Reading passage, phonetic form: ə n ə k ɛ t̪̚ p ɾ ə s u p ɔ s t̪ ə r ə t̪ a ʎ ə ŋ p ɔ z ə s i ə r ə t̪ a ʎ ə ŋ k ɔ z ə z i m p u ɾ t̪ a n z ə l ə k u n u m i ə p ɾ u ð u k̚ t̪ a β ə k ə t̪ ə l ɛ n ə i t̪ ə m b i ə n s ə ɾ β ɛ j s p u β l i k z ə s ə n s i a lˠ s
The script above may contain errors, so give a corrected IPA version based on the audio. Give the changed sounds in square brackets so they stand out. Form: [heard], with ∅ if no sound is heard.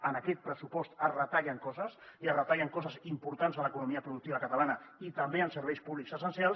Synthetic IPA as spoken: ə n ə k ɛ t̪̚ p ɾ ə s u p ɔ s t̪ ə r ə t̪ a ʎ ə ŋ [k] ɔ z ə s i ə r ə t̪ a ʎ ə ŋ k ɔ z ə z i m p u ɾ t̪ a n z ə l ə k u n u m i ə p ɾ u ð u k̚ t̪ [i] β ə k ə t̪ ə l [a] n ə i t̪ ə m b [e] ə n s ə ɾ β ɛ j s p u β l i k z ə s ə n s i a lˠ s